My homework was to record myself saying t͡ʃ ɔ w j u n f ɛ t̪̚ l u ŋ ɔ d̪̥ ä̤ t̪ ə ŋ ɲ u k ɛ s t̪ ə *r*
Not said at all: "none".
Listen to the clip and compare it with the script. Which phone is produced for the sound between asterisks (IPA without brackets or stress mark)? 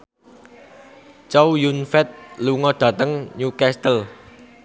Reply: l